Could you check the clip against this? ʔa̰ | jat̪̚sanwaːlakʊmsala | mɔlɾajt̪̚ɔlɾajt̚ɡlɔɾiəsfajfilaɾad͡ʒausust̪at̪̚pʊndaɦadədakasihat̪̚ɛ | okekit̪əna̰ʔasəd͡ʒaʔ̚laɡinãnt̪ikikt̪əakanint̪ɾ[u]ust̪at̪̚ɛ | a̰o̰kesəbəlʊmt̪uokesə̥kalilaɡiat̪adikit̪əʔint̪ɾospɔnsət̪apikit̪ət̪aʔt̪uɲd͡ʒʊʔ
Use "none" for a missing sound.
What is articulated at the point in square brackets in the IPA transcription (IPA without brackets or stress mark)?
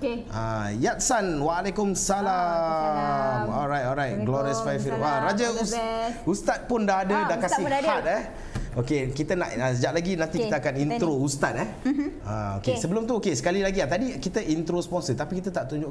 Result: o